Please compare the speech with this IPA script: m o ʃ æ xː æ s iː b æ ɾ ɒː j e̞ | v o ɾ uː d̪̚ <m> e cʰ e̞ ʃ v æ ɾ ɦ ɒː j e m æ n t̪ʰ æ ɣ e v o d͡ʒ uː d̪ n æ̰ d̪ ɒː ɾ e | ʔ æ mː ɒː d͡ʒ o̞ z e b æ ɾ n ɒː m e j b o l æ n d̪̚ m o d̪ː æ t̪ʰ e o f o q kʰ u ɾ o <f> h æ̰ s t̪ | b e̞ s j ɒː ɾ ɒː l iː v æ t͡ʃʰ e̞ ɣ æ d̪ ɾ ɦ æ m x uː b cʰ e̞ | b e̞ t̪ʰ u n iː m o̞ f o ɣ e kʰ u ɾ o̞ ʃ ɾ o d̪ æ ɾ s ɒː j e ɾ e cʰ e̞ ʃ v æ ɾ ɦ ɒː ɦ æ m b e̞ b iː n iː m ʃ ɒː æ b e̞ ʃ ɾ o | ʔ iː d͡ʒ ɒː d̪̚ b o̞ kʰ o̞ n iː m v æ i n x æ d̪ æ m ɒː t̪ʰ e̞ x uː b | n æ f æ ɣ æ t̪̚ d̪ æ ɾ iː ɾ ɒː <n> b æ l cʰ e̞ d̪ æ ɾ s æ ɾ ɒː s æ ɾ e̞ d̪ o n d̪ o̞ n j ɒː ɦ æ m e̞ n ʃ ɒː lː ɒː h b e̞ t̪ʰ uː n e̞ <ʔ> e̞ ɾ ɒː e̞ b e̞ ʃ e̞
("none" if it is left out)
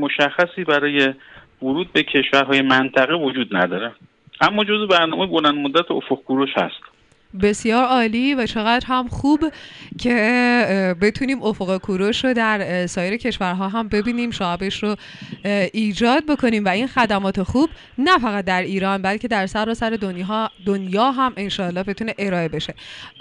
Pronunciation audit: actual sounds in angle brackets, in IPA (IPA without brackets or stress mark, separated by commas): b, ʃ, n, ʔ